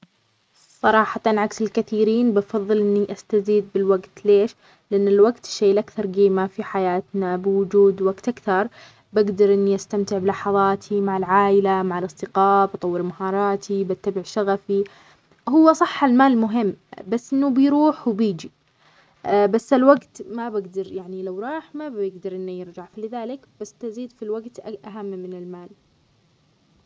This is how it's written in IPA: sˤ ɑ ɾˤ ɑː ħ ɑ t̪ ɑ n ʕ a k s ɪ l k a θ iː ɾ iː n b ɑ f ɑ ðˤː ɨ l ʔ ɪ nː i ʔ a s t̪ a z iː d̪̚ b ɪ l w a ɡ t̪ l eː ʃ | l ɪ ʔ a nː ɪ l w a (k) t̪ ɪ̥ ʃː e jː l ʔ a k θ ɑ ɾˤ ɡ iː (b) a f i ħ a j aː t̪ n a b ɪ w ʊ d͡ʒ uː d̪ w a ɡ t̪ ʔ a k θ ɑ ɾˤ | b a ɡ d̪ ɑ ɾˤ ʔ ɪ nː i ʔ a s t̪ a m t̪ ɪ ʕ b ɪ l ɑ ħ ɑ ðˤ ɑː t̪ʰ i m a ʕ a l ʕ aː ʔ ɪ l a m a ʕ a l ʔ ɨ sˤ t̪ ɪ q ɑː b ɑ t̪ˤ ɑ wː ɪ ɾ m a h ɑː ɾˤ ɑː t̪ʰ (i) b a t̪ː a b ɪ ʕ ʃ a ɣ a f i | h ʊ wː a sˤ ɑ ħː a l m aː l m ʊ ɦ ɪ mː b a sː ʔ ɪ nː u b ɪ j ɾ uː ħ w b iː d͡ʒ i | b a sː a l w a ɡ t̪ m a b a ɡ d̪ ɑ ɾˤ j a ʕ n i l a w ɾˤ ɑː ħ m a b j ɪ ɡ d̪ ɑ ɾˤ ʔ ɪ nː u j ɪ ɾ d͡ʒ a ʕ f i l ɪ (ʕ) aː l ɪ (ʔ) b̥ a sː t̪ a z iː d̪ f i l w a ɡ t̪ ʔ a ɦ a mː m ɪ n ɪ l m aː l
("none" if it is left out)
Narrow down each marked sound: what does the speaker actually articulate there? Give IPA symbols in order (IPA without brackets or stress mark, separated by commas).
ɡ, m, i, ð, k